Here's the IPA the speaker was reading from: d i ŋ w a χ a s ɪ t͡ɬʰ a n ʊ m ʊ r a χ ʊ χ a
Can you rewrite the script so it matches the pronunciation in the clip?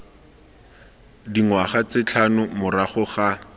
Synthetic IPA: d i ŋ w a χ a t͡s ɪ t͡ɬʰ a n ʊ m ʊ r a χ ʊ χ a